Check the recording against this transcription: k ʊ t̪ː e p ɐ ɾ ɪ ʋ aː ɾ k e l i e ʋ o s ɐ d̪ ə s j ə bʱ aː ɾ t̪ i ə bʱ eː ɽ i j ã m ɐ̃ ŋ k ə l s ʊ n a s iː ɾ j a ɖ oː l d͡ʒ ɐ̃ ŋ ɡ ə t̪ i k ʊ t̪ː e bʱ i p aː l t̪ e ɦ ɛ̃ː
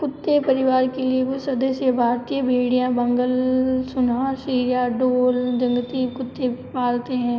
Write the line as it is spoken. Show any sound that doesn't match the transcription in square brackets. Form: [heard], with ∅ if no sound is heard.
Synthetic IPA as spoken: k ʊ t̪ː e p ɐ ɾ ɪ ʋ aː ɾ k e l i e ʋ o s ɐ d̪ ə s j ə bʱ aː ɾ t̪ i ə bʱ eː ɽ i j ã [b] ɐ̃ ŋ [ɡ] ə l s ʊ n a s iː ɾ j a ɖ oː l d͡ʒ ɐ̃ ŋ ɡ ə t̪ i k ʊ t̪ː e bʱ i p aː l t̪ e ɦ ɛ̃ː